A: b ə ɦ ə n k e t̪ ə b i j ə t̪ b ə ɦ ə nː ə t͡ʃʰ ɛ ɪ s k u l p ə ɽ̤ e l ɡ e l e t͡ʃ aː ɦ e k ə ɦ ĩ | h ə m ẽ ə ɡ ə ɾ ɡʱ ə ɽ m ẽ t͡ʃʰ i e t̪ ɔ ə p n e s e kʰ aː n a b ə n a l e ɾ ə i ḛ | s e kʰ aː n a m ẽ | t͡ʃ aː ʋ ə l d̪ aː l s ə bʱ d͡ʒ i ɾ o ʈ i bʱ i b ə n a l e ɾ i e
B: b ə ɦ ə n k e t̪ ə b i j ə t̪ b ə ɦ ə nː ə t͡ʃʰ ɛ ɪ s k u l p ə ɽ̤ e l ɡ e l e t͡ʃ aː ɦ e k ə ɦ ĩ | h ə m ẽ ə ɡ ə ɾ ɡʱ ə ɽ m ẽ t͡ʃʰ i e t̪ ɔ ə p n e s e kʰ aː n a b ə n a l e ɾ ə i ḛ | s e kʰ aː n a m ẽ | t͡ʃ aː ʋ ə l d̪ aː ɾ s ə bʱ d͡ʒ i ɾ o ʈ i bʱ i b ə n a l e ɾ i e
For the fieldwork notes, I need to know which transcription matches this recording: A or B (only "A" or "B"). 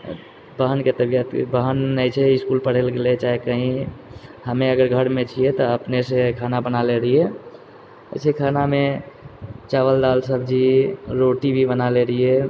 A